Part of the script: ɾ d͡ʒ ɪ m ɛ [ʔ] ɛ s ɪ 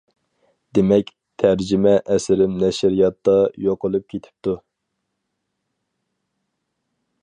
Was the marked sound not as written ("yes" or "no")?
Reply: no